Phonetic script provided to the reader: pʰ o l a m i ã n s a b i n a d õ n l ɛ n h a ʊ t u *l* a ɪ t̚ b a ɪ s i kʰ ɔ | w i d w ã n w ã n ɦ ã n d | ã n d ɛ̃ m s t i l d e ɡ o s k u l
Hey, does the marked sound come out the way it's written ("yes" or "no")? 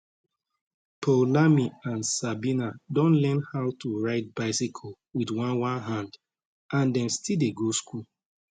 no